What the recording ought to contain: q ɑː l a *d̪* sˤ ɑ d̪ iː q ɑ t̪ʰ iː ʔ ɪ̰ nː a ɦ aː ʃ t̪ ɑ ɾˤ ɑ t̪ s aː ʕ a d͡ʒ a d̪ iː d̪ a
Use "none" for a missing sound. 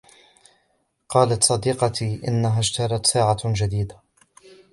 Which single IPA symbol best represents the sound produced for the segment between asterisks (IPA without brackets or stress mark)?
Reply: t̪